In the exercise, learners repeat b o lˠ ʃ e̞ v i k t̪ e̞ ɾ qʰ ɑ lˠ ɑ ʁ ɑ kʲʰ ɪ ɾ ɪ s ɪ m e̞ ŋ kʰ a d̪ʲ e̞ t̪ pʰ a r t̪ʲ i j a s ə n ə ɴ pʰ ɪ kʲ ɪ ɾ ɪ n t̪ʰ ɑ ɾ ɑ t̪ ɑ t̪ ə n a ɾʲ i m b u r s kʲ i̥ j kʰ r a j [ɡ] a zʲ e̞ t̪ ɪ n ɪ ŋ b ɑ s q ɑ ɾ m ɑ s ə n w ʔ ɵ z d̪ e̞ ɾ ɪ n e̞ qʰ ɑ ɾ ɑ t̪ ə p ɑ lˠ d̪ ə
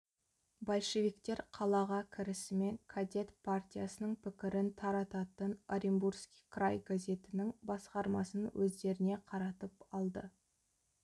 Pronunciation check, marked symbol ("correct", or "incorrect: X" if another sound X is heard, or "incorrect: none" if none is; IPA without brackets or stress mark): correct